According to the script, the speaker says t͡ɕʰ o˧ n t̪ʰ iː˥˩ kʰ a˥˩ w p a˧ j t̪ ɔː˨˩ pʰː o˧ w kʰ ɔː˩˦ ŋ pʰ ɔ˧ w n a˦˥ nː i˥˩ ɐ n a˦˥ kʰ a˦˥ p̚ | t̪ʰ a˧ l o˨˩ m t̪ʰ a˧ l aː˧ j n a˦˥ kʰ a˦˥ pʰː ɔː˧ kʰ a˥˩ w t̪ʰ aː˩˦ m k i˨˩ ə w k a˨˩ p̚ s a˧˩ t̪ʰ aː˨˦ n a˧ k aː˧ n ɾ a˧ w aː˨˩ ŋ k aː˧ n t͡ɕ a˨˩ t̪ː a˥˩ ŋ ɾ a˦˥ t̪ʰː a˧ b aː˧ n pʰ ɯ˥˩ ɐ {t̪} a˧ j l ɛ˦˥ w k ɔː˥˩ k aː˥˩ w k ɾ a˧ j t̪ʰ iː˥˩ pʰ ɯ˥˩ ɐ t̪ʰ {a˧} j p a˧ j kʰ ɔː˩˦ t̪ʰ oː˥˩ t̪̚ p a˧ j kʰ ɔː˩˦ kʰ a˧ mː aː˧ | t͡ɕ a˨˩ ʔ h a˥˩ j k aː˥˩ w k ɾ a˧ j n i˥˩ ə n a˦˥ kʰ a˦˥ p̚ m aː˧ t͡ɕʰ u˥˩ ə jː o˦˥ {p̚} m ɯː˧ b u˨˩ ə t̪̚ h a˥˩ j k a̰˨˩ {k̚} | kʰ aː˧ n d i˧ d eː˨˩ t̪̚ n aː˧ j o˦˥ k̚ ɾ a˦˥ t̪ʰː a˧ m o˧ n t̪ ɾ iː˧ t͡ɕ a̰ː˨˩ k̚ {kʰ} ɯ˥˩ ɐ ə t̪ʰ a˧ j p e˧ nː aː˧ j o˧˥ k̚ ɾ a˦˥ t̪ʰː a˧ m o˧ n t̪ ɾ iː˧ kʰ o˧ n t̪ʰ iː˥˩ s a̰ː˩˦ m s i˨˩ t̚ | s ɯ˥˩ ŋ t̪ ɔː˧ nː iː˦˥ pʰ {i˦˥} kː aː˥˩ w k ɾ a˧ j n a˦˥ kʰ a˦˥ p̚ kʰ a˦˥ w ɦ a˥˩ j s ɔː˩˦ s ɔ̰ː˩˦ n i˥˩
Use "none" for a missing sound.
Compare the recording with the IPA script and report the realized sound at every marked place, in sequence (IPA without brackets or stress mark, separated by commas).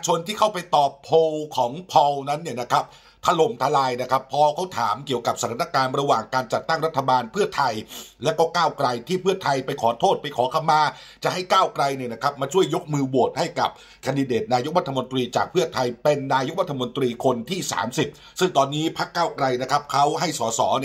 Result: t̪ʰ, a˧, k̚, p̚, pʰ, a˦˥